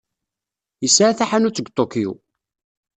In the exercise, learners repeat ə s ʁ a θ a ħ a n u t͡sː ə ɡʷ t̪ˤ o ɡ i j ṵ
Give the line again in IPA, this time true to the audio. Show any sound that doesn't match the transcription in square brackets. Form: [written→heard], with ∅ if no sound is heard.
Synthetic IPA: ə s [ʁ→ʕ] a θ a ħ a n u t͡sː ə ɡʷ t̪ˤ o [ɡ→k] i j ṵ